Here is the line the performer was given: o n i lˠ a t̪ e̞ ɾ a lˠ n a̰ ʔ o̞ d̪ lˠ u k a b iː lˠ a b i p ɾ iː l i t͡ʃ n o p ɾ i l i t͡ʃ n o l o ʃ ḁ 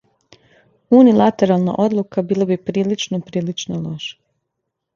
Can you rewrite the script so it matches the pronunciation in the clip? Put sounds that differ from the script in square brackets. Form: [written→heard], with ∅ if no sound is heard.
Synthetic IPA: [o→u] n i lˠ a t̪ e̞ ɾ a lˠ n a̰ ʔ o̞ d̪ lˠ u k a b iː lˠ a b i p ɾ iː l i t͡ʃ n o p ɾ [i→iː] l i t͡ʃ n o l o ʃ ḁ